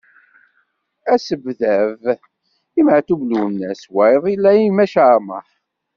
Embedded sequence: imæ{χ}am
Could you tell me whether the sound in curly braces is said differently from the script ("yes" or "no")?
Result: yes